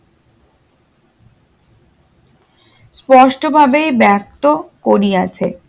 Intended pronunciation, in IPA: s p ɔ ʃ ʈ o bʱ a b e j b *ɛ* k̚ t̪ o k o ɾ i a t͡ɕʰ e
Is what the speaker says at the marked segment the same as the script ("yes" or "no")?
yes